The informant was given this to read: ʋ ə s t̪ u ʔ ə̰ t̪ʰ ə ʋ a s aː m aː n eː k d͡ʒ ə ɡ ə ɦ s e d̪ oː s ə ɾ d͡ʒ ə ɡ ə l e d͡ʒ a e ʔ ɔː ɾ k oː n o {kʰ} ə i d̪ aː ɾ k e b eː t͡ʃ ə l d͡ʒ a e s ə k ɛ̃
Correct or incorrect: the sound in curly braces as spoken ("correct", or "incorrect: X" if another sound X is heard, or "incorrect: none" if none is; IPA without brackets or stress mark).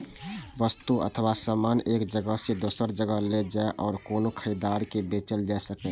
correct